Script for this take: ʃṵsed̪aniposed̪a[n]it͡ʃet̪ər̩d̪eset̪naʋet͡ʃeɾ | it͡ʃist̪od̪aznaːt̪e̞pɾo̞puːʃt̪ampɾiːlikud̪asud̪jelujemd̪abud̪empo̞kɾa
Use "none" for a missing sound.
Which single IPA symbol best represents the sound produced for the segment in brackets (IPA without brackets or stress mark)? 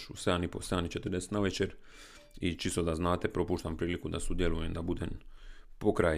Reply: n